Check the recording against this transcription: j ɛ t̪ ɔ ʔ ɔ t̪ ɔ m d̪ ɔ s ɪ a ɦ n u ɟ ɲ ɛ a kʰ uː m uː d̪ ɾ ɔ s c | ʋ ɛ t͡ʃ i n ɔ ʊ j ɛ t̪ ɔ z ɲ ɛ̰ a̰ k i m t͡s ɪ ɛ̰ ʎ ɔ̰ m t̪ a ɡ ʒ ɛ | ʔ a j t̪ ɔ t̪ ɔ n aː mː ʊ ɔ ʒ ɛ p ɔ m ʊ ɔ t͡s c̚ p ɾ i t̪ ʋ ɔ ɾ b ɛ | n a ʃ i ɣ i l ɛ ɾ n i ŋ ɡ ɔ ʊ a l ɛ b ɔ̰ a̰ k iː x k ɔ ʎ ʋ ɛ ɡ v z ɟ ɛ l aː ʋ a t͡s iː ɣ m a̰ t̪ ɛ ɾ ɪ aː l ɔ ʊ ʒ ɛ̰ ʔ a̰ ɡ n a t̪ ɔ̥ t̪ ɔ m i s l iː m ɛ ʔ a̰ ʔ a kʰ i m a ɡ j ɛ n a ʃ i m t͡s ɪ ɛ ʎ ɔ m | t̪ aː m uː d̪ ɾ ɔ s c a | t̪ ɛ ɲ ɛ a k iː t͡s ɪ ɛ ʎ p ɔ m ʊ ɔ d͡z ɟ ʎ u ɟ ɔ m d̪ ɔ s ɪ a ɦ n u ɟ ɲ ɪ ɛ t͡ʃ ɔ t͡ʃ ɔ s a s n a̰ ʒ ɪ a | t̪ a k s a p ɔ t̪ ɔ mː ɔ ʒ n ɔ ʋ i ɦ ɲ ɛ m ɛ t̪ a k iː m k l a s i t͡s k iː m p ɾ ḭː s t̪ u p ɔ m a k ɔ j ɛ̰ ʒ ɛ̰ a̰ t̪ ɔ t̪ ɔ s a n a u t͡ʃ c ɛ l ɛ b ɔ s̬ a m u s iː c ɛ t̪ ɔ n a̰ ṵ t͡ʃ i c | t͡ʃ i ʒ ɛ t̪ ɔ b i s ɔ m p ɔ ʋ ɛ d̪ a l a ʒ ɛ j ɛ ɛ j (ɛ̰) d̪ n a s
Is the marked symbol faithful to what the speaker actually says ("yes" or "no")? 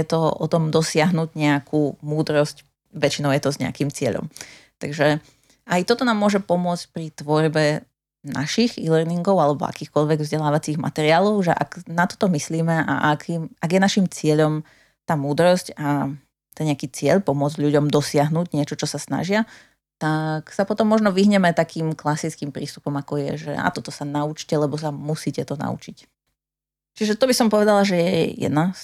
yes